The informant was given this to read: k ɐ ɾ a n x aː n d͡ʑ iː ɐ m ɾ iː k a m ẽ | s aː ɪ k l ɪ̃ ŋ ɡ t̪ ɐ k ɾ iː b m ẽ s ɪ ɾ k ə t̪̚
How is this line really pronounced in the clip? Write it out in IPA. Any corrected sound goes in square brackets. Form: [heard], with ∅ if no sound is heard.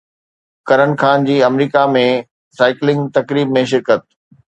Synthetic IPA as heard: k ɐ ɾ [ə] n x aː n d͡ʑ iː ɐ m ɾ iː k a m ẽ | s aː ɪ k l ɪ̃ ŋ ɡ t̪ ɐ k ɾ iː b m ẽ [ʃ] ɪ ɾ k ə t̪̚